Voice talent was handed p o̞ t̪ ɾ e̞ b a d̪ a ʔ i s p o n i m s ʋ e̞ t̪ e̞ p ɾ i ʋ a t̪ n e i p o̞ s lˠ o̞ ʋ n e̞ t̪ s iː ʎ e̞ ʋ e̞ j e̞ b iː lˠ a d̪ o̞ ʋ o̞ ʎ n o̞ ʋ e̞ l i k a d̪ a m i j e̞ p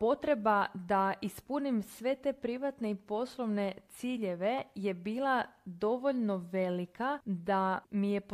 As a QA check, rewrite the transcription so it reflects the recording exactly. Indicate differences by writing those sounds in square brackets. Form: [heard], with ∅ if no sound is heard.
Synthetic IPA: p o̞ t̪ ɾ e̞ b a d̪ a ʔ i s p [u] n i m s ʋ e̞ t̪ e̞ p ɾ i ʋ a t̪ n e i p o̞ s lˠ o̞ ʋ n e̞ t̪ s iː ʎ e̞ ʋ e̞ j e̞ b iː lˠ a d̪ o̞ ʋ o̞ ʎ n o̞ ʋ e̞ l i k a d̪ a m i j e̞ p